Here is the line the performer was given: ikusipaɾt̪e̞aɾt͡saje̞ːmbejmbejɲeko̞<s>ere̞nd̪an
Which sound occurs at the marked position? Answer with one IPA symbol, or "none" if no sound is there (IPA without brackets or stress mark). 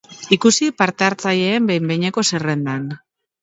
s